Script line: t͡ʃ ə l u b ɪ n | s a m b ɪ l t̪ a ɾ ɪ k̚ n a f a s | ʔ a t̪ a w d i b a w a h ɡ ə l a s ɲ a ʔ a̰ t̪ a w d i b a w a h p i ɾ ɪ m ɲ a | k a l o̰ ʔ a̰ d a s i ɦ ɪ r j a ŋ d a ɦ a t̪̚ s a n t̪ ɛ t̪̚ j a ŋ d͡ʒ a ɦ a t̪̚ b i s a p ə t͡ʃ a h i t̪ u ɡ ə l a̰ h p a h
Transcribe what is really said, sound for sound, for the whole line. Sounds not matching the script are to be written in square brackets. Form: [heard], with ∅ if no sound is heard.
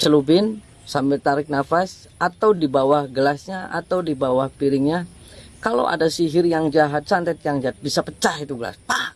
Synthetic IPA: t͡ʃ ə l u b ɪ n | s a m b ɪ l t̪ a ɾ ɪ k̚ n a f a s | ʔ a t̪ a w d i b a w a h ɡ ə l a s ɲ a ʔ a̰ t̪ a w d i b a w a h p i ɾ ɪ [ŋ] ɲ a | k a l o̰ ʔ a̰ d a s i ɦ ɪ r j a ŋ [d͡ʒ] a ɦ a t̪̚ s a n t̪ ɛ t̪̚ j a ŋ d͡ʒ a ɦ a t̪̚ b i s a p ə t͡ʃ a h i t̪ u ɡ ə l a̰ [s] p a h